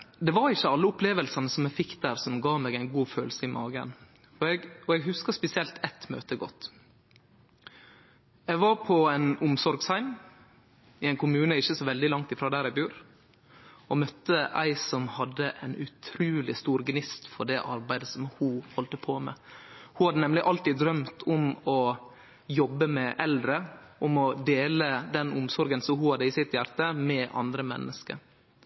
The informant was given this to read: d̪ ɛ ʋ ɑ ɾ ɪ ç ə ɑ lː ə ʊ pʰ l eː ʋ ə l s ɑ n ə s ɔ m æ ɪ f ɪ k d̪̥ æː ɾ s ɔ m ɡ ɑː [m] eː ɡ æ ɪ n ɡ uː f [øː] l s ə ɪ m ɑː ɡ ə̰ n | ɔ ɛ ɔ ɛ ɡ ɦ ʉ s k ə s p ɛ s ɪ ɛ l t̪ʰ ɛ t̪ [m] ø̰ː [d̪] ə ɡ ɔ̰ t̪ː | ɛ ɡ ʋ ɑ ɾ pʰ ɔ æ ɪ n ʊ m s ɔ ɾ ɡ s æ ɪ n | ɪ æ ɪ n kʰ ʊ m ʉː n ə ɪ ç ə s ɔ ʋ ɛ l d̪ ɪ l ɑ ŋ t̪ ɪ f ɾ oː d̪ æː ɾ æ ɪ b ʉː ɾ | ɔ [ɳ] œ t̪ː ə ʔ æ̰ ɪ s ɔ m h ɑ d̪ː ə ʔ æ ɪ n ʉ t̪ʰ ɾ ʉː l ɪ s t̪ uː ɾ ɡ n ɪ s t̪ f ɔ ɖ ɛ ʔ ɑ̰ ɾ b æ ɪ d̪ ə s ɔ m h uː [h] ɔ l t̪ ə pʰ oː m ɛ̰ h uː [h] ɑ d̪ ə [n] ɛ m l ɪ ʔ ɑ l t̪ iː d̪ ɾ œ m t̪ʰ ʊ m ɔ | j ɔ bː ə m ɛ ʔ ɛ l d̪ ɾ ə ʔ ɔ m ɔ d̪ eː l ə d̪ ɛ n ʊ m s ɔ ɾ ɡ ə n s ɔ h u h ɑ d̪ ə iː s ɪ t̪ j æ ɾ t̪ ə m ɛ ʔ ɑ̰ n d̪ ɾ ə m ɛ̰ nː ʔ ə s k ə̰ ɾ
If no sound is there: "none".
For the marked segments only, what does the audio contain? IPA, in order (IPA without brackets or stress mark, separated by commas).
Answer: m, øː, m, t̪, m, h, h, n